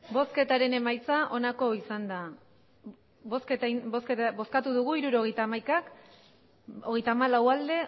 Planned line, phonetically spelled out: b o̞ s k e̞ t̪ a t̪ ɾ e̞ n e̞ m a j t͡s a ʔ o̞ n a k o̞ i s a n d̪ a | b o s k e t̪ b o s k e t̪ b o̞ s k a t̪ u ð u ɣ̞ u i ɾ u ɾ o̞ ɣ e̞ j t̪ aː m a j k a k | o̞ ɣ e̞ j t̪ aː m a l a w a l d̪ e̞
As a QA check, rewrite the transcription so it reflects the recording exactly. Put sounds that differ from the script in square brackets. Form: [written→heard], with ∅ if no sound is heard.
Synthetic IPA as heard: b o̞ s k e̞ t̪ a [t̪→∅] ɾ e̞ n e̞ m a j t͡s a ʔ o̞ n a k o̞ i s a n d̪ a | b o s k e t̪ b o s k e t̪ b o̞ s k a t̪ u ð u ɣ̞ u i ɾ u ɾ o̞ ɣ e̞ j t̪ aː m a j k a k | o̞ ɣ e̞ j t̪ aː m a l a w a l d̪ e̞